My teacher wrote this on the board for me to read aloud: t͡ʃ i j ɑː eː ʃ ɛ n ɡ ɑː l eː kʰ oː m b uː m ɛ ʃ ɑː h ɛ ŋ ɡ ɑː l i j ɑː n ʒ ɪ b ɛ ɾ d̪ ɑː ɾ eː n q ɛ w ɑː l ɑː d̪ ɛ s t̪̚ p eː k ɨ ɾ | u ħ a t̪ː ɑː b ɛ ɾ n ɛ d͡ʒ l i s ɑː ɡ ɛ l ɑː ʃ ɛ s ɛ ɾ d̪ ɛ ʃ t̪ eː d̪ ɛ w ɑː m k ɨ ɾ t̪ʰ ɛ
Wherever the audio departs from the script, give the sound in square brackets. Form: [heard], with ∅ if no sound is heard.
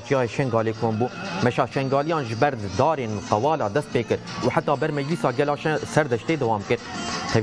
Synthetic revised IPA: t͡ʃ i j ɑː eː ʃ ɛ [ŋ] ɡ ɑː l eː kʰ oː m b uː m ɛ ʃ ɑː [ʃ] ɛ ŋ ɡ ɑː l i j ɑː n ʒ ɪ b ɛ ɾ d̪ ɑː ɾ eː n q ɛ w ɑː l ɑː d̪ ɛ s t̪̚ p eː k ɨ ɾ | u ħ a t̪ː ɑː b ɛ ɾ [m] ɛ d͡ʒ l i s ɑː ɡ ɛ l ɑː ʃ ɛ s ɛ ɾ d̪ ɛ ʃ t̪ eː d̪ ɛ w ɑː m k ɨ ɾ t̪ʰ ɛ